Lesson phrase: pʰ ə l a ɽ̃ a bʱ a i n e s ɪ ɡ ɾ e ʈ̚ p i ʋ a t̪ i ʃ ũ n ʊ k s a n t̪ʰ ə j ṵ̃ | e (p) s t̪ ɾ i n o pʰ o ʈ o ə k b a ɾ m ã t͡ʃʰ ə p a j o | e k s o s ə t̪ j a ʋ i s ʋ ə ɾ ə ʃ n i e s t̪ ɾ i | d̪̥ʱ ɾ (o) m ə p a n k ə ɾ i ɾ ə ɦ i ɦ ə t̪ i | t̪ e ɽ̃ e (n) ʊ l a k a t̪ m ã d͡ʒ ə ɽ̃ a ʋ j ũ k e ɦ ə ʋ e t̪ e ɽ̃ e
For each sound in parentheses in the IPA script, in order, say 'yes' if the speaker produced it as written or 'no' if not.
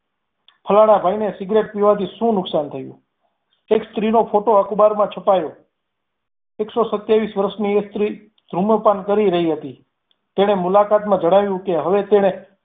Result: no, no, no

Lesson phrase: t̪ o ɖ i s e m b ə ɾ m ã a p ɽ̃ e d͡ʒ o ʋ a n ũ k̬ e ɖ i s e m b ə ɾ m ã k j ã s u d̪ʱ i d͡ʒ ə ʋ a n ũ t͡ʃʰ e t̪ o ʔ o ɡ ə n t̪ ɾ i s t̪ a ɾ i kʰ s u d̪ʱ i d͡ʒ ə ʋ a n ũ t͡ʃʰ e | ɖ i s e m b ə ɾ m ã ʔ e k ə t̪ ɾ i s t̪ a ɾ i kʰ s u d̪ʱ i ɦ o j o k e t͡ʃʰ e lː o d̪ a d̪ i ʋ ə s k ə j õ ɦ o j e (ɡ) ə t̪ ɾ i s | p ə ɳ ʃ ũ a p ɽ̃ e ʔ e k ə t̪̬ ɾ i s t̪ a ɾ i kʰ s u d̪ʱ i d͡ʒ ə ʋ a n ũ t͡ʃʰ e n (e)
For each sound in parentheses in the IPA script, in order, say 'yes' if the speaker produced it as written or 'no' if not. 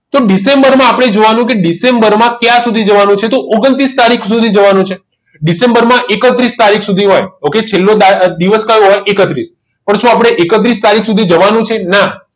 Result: no, no

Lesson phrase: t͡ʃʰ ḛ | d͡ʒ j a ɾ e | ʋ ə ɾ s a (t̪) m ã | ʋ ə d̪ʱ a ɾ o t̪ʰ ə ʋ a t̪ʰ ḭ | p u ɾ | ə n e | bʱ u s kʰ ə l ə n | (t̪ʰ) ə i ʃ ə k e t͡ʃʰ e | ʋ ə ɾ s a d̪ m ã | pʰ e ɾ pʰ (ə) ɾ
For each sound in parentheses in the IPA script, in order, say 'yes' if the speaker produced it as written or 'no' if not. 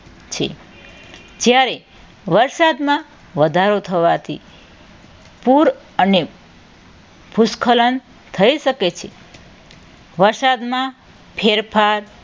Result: no, yes, no

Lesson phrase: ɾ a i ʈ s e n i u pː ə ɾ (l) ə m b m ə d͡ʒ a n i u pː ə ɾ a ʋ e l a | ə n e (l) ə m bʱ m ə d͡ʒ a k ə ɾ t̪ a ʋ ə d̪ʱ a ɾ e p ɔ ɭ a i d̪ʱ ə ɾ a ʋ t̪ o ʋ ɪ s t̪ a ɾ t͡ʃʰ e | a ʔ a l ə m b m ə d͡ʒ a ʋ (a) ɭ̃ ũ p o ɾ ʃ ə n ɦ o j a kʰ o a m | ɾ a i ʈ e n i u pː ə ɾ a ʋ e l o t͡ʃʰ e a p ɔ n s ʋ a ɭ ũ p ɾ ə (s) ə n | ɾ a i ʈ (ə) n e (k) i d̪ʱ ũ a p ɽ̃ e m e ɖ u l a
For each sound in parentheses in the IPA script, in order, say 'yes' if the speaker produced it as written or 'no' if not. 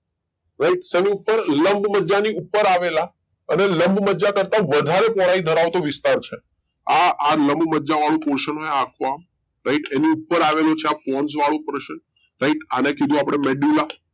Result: yes, yes, yes, no, no, yes

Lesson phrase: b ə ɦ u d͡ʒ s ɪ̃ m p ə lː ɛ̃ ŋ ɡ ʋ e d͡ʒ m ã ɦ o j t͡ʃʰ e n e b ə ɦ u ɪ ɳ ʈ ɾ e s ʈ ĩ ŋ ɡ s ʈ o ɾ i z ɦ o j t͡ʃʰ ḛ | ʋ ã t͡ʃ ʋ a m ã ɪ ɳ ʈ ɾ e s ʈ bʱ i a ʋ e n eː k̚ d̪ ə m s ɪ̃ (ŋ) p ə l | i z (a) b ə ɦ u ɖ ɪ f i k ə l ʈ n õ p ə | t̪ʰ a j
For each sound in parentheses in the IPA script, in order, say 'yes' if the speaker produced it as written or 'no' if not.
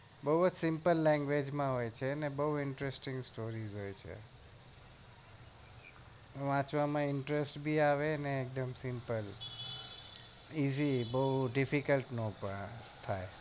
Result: no, no

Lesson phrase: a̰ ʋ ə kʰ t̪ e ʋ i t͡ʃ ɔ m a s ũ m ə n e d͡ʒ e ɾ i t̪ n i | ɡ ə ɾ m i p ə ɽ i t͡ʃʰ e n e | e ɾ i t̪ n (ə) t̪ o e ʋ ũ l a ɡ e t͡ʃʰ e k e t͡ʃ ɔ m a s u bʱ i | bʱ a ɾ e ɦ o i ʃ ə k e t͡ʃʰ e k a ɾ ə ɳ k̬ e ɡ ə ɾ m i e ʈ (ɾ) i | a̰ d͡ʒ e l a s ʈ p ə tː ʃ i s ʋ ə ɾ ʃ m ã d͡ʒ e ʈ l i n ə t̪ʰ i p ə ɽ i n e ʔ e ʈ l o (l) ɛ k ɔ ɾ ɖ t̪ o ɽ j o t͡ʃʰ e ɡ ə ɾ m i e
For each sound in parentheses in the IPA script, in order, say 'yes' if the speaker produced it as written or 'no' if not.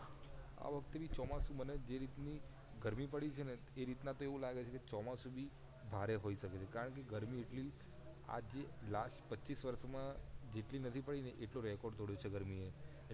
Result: no, no, no

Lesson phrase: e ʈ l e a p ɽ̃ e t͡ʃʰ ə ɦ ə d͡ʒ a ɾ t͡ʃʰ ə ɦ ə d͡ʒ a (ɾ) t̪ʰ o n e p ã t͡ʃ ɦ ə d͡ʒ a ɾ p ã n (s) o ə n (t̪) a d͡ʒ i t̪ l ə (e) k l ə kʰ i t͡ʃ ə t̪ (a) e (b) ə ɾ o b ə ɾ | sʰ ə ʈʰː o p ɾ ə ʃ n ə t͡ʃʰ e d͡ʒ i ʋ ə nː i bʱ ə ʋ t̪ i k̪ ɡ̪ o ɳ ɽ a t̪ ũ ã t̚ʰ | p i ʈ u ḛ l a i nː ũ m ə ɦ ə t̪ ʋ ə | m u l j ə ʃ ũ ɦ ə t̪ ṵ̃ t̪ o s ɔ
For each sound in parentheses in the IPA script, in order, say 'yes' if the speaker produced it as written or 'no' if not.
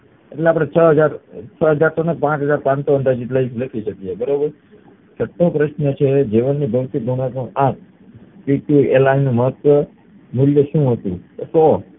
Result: yes, yes, no, no, no, yes

